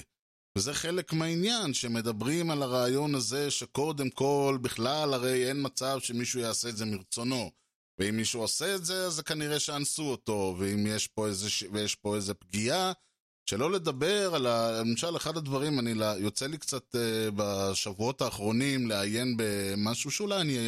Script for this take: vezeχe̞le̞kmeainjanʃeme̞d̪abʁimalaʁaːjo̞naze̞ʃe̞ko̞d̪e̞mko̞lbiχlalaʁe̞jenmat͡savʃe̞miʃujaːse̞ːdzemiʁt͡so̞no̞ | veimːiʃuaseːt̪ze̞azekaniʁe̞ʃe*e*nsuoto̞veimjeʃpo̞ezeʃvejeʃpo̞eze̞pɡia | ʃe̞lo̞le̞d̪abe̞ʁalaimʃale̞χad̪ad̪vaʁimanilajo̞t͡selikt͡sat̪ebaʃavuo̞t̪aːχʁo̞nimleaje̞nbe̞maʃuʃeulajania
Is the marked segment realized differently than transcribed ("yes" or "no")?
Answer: yes